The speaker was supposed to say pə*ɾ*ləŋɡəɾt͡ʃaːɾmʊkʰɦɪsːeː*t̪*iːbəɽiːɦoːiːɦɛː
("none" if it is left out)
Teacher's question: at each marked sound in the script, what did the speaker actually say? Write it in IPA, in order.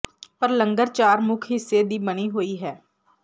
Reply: ɾ, d̪

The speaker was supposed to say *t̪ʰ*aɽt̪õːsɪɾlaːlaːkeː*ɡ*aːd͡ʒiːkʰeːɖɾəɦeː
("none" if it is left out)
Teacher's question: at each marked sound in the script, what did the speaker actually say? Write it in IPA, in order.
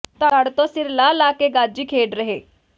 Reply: t̪, ɡ

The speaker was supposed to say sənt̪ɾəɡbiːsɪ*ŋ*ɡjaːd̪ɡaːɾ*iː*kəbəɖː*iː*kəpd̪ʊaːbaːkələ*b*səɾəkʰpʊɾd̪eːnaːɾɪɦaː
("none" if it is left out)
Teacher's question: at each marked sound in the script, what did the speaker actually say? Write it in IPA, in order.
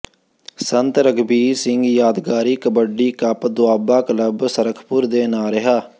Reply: ŋ, iː, iː, b

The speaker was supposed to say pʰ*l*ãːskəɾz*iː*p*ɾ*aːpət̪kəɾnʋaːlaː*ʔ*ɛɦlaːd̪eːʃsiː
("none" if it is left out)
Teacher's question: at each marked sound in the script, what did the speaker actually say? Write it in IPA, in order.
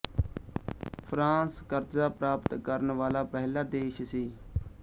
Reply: ɾ, aː, ɾ, p

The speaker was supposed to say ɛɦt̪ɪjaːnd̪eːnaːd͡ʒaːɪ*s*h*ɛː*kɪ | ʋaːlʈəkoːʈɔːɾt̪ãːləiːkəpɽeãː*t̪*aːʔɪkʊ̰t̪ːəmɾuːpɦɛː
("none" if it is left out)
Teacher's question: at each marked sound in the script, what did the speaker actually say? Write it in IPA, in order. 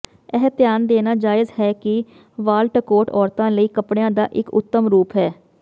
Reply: z, ɛː, d̪

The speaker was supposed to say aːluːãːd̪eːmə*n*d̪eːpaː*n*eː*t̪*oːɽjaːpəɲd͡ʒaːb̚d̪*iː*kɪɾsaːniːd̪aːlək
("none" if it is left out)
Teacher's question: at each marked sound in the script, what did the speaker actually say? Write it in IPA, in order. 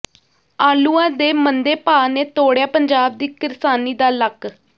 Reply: n, n, t̪, iː

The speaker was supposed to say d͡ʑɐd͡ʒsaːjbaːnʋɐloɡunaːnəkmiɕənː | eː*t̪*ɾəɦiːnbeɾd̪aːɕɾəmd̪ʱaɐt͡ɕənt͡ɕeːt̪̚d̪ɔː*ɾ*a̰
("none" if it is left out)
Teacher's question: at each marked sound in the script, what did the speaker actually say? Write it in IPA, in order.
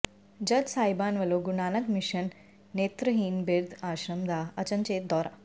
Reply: t̪, ɾ

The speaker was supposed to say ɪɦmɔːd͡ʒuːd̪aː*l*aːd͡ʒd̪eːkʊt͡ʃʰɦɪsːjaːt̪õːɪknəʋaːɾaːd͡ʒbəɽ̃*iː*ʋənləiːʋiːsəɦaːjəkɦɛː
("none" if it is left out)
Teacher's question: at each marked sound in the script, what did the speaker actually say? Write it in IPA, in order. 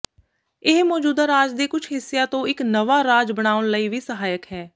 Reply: ɾ, aː

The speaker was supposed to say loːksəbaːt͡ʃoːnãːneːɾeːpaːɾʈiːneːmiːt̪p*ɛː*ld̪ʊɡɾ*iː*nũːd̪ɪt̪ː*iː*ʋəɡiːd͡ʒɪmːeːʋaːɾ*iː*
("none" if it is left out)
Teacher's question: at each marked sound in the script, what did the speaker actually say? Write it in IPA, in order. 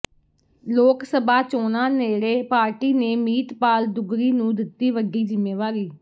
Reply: aː, iː, iː, iː

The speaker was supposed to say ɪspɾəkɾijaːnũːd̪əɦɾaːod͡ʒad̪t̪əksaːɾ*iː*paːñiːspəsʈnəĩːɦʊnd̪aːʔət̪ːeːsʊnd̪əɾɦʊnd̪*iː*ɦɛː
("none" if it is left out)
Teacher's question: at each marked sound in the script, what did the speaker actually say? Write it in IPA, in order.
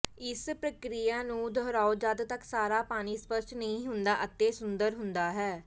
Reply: aː, aː

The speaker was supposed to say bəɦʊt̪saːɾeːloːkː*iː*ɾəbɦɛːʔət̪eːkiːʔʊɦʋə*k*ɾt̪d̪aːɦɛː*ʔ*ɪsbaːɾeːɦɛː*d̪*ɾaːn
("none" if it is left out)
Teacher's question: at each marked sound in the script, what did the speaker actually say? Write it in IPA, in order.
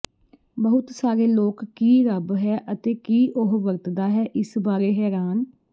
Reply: iː, none, ʔ, none

